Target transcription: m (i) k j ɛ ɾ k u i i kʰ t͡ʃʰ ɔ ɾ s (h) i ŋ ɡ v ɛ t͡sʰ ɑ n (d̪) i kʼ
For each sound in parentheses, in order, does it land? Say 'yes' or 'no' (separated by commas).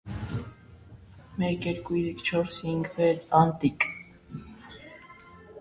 no, yes, no